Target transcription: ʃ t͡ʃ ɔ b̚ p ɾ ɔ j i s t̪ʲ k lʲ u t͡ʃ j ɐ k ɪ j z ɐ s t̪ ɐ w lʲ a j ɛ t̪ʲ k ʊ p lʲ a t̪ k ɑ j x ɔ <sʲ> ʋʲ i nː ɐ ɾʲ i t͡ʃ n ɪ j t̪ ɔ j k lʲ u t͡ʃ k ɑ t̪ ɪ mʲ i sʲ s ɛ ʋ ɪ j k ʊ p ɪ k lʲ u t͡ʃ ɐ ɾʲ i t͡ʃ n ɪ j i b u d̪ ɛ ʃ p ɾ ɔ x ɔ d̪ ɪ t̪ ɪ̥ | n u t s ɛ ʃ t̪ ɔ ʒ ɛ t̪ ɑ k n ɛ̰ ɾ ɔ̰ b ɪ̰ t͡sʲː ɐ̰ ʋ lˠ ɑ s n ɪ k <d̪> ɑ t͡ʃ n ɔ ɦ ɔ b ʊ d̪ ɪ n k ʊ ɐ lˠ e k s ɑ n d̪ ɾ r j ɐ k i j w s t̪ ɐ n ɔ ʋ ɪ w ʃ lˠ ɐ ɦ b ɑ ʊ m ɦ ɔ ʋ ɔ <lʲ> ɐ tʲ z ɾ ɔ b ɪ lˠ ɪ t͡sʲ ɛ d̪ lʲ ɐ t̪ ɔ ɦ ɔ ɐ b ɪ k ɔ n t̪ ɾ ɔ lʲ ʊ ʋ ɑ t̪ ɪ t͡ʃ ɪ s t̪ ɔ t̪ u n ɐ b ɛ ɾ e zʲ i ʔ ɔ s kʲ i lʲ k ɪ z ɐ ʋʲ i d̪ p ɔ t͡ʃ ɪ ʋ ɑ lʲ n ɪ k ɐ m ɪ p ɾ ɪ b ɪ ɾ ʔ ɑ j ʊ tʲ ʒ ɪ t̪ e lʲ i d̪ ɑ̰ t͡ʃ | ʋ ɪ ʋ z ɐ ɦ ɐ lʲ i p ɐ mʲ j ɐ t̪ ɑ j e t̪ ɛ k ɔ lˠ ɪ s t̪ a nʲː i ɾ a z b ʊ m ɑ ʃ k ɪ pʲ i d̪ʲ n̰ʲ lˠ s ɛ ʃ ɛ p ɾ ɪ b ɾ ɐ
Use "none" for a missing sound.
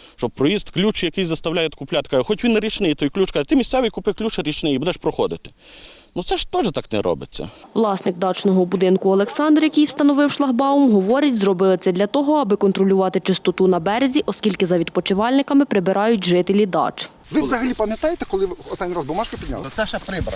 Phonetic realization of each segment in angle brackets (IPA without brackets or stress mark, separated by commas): tʲ, d̪, ɾʲ